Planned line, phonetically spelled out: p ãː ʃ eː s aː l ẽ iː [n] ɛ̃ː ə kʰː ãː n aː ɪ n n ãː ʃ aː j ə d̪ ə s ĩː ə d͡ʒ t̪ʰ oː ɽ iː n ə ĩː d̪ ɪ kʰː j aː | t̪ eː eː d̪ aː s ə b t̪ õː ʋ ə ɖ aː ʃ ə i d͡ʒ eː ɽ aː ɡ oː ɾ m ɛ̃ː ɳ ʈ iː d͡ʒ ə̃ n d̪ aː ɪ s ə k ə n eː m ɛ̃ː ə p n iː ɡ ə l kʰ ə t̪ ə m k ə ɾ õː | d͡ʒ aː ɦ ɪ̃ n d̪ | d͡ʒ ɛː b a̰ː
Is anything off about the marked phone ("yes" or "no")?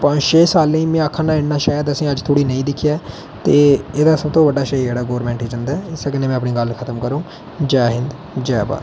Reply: yes